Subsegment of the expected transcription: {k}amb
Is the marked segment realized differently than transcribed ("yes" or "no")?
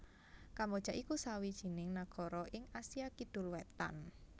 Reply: no